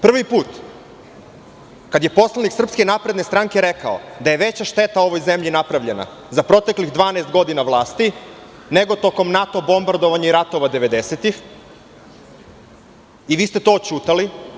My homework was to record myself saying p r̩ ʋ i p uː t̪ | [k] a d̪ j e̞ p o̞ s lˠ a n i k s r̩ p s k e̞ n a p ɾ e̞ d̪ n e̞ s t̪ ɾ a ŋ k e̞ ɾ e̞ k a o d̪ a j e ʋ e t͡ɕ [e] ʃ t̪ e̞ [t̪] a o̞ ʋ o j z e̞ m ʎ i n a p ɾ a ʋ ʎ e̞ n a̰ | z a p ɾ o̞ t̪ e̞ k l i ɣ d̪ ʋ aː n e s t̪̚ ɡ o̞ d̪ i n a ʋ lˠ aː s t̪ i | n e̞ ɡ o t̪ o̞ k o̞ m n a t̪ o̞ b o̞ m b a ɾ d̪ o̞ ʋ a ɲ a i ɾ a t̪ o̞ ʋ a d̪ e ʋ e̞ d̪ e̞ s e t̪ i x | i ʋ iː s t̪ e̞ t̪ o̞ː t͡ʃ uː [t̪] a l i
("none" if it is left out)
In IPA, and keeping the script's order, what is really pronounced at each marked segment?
k, a, t̪, t̪

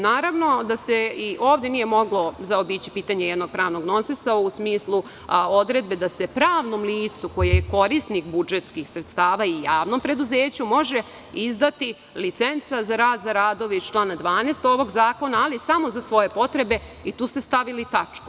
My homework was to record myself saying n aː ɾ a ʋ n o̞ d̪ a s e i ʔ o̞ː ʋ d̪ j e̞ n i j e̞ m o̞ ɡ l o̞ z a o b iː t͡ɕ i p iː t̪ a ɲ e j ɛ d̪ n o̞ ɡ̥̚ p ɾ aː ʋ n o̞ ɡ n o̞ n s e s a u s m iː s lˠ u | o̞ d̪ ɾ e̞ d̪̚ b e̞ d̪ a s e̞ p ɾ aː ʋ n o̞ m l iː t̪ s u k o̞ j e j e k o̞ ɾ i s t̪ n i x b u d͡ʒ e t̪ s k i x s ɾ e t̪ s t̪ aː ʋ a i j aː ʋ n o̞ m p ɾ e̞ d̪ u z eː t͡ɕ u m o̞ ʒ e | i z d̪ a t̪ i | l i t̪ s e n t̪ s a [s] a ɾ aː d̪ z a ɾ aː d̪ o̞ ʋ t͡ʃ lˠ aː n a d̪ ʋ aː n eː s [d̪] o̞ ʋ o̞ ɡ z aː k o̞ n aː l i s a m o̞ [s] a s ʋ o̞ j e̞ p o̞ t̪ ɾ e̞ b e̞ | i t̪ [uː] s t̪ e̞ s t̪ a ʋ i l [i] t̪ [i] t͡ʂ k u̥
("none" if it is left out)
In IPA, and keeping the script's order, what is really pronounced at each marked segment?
z, t̪, z, uː, i, a

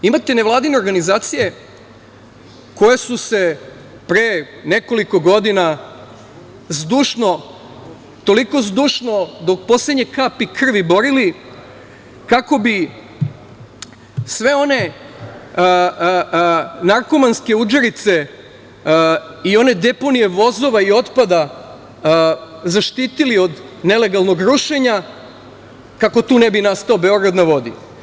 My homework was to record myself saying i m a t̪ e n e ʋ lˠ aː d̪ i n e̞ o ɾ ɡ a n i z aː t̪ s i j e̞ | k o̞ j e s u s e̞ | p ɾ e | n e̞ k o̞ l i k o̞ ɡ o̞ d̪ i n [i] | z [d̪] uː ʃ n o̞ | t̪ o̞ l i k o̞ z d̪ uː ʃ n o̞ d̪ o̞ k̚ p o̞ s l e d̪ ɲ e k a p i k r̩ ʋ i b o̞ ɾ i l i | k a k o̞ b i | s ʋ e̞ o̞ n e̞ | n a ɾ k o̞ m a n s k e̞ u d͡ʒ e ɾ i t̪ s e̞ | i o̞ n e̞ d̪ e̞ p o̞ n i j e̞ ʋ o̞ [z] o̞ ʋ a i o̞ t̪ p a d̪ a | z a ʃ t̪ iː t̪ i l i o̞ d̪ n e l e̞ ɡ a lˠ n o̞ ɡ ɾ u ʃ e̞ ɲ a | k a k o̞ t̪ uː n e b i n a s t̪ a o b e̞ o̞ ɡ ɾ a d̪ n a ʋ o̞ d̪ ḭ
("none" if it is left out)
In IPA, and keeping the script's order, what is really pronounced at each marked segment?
a, d̪, z

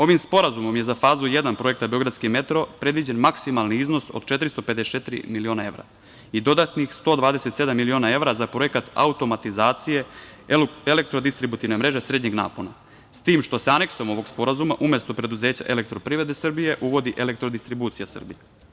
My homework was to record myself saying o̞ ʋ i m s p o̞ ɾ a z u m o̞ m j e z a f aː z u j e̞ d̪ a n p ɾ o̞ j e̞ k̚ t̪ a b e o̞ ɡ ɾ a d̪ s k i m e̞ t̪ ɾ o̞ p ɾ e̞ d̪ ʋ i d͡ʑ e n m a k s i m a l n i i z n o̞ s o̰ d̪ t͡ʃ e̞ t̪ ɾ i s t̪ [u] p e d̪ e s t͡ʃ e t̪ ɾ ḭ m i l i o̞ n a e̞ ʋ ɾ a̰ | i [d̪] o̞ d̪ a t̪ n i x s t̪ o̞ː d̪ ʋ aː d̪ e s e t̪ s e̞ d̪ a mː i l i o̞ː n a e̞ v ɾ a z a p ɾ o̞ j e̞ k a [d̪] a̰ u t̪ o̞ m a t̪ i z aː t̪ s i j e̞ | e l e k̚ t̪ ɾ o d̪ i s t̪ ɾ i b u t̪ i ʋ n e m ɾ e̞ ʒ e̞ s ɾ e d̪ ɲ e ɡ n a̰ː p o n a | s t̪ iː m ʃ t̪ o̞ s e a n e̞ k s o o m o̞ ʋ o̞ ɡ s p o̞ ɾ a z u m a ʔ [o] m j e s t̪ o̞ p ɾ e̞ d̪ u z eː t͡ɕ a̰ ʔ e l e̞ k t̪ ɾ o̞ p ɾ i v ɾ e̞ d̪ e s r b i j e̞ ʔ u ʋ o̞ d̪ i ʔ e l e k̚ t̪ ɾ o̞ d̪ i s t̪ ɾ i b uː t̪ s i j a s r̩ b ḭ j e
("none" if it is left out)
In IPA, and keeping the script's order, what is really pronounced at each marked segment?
o, d̪, t̪, u

